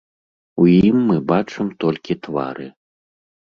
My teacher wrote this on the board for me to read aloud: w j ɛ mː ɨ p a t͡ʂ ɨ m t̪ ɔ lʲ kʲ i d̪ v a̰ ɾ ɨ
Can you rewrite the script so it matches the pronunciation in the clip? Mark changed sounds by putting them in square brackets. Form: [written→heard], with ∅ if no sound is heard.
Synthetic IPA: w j [ɛ→i] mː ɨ [p→b] a t͡ʂ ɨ m t̪ ɔ lʲ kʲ i [d̪→t̪] v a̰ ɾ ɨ